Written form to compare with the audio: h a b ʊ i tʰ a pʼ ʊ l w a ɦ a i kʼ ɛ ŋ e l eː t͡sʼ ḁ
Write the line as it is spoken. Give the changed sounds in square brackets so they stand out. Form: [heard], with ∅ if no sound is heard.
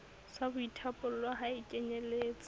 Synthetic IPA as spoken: [s] a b ʊ i tʰ a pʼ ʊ l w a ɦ a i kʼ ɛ [ɲ] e l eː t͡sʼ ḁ